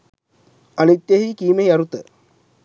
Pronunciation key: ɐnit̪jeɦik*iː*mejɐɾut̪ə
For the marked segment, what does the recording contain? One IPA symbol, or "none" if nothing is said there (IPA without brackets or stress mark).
iː